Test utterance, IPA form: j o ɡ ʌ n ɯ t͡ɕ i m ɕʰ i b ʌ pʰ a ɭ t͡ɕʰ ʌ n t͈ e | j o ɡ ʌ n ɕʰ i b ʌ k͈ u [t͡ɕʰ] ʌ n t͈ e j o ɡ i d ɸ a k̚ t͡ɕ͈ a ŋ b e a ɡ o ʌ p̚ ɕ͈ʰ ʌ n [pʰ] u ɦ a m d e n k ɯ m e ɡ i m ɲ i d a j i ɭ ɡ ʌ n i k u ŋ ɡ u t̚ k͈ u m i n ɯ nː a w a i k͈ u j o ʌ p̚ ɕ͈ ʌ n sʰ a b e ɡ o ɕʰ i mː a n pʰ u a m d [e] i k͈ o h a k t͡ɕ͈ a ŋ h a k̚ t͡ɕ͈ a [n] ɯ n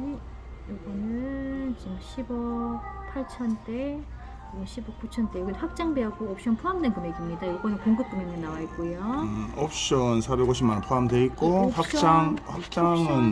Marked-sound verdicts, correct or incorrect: correct, correct, correct, incorrect: ŋ

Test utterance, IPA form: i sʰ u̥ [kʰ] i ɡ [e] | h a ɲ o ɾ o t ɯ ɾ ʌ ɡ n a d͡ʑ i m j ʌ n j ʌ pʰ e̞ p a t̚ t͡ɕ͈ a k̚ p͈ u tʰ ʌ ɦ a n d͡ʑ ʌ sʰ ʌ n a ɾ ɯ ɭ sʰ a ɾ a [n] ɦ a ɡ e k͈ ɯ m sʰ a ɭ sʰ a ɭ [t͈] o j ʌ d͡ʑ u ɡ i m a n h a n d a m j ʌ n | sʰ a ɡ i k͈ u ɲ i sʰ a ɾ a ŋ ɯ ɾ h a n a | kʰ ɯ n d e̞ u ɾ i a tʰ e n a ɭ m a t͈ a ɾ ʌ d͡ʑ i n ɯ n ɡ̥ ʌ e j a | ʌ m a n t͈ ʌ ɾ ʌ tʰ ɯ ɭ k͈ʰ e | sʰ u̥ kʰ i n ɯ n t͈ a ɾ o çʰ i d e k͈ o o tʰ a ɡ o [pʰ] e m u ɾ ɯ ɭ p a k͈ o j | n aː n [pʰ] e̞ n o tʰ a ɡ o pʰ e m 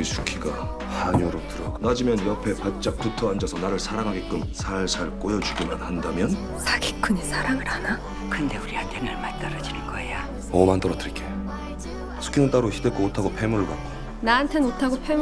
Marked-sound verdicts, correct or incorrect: correct, incorrect: a, incorrect: ŋ, incorrect: k͈, correct, incorrect: tʰ

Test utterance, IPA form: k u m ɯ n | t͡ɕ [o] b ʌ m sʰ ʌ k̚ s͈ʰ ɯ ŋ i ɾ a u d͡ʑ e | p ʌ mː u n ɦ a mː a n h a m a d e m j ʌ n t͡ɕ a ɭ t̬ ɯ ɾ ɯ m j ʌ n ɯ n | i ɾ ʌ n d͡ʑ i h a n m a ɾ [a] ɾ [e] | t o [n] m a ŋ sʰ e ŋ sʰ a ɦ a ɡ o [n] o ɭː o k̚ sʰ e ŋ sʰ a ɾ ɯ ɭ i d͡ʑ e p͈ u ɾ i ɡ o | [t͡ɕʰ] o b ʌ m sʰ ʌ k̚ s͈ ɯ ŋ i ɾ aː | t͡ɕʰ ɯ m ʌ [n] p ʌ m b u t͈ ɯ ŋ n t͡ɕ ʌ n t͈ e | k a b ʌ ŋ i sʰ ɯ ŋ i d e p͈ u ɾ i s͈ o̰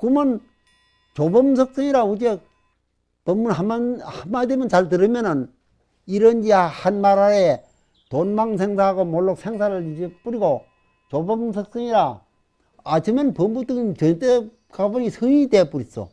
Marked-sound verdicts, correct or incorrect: correct, correct, correct, correct, incorrect: m, incorrect: t͡ɕ, correct

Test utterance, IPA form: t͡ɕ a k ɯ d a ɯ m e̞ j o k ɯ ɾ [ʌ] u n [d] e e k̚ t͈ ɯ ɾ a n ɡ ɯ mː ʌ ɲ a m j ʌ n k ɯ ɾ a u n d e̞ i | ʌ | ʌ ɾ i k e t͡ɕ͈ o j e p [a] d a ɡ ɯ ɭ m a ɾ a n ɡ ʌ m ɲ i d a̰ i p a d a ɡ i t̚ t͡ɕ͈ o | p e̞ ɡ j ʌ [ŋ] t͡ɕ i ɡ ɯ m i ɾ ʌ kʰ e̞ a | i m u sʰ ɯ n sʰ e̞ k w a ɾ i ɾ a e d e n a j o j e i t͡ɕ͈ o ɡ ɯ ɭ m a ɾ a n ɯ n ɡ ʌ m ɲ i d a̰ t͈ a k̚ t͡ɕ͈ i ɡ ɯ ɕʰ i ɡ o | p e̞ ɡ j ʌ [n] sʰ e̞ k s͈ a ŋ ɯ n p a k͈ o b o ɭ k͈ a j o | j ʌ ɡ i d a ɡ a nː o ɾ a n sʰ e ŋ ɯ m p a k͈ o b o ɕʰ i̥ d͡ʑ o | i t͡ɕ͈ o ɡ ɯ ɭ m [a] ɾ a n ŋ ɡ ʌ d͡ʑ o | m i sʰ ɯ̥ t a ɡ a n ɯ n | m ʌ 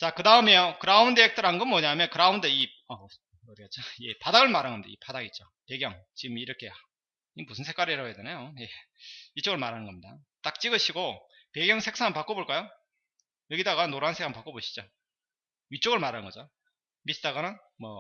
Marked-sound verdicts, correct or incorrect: incorrect: a, correct, correct, correct, incorrect: ŋ, correct

